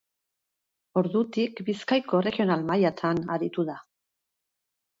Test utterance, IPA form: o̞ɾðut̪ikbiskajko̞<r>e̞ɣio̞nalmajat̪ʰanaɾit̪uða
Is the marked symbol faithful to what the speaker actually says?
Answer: yes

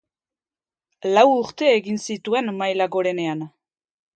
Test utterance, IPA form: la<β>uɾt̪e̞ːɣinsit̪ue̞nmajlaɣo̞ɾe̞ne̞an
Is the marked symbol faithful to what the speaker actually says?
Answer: no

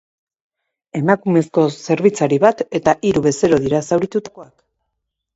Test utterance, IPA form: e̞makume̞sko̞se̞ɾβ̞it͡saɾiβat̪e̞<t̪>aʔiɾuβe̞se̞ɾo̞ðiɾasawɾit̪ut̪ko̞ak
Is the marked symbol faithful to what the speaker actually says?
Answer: yes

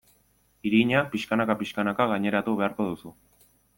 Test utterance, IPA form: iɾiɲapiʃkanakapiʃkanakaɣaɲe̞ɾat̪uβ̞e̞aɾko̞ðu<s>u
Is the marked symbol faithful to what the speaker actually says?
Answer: yes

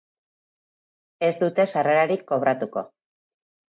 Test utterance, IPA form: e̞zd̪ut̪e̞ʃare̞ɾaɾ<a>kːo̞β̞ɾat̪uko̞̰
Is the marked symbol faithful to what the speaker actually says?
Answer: no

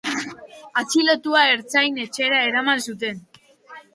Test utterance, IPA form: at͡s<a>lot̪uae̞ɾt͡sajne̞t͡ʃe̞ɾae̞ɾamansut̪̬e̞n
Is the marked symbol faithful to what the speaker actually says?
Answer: no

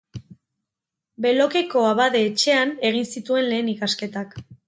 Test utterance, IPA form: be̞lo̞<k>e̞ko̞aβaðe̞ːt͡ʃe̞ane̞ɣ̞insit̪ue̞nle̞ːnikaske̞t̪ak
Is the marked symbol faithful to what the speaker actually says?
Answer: yes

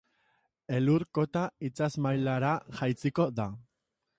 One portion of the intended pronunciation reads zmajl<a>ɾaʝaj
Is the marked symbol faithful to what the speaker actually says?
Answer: yes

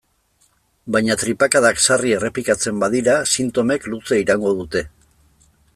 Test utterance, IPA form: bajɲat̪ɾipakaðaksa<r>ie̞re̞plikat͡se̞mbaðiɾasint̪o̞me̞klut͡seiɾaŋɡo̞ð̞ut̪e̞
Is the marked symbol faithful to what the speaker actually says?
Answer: yes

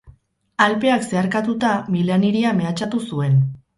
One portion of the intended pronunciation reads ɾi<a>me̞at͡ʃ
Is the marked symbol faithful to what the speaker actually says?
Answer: yes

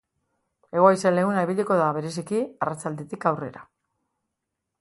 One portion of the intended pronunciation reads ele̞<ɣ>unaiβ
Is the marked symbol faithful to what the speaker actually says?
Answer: yes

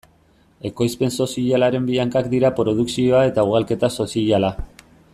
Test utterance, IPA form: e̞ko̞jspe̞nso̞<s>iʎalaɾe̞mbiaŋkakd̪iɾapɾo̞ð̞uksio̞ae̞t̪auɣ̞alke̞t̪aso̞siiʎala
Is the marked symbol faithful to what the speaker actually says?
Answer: yes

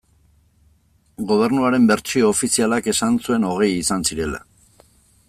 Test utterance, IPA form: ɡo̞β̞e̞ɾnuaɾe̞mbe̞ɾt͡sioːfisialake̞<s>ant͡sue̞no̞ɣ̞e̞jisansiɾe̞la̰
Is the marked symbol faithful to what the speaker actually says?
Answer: yes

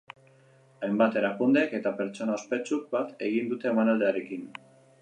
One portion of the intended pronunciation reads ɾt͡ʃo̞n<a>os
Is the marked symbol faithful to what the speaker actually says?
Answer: yes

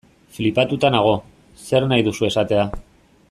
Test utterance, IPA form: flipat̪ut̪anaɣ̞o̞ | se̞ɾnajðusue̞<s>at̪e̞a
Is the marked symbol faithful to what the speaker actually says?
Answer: yes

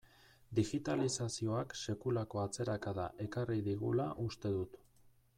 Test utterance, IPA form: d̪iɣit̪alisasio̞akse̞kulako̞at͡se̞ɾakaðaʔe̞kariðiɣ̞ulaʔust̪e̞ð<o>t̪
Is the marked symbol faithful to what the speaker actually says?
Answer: no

